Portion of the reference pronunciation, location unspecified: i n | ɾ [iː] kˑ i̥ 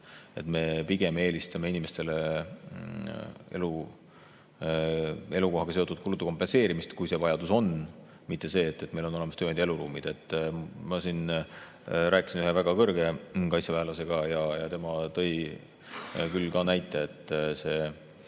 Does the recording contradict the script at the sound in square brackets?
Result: yes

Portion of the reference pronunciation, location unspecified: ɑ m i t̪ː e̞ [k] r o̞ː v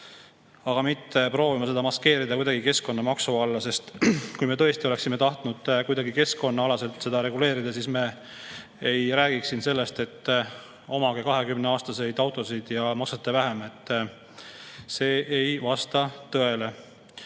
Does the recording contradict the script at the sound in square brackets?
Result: yes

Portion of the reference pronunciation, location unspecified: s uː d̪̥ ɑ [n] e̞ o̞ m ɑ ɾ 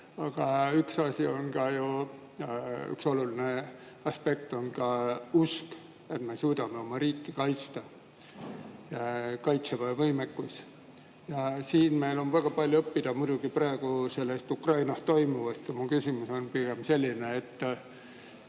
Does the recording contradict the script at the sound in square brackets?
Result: yes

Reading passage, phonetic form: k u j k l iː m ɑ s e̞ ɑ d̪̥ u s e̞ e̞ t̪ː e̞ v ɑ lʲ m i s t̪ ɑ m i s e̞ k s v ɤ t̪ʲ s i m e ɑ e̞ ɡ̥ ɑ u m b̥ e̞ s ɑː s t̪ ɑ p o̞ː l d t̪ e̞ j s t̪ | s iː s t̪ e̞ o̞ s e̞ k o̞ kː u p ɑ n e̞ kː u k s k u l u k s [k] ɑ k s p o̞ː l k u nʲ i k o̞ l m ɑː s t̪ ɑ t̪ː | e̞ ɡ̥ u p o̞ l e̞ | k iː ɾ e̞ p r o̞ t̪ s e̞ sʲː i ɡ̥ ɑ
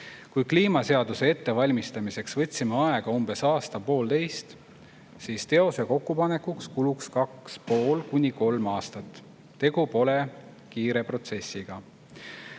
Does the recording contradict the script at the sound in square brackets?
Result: no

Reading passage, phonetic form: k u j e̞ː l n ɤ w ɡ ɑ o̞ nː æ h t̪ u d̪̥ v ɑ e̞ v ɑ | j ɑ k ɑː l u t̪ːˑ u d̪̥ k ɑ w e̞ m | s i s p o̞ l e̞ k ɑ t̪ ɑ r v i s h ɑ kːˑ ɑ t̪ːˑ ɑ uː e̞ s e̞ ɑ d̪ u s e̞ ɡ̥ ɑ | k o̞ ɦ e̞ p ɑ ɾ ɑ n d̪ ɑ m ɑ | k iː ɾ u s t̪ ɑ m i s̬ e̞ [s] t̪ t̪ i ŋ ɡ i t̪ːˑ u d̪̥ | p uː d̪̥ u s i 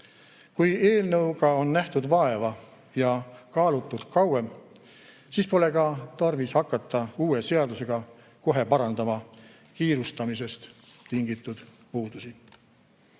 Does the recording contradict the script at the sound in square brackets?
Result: no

